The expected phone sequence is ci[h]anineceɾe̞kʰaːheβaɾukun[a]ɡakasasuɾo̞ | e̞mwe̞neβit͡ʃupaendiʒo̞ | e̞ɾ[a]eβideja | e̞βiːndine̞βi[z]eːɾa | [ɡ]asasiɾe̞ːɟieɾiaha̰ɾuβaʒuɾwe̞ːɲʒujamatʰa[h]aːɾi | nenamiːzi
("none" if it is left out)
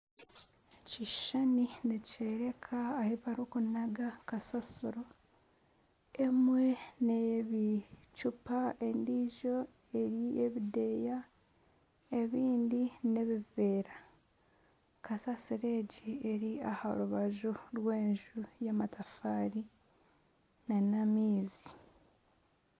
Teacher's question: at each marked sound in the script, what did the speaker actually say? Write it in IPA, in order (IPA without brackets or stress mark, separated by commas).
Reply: ʃ, a, i, v, k, f